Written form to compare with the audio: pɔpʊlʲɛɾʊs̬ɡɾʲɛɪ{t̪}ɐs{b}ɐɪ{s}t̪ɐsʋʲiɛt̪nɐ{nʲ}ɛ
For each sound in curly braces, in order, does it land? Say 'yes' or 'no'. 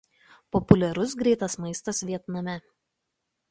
yes, no, yes, no

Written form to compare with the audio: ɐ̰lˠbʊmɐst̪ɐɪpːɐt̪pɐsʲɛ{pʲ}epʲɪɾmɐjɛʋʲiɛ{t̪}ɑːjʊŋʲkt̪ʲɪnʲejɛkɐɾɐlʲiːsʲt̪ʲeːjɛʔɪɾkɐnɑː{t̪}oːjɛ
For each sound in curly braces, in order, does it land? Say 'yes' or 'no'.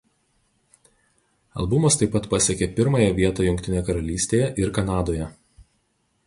no, yes, no

